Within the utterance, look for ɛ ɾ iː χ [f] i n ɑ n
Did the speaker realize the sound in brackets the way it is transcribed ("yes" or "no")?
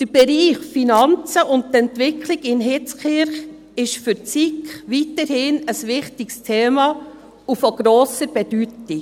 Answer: yes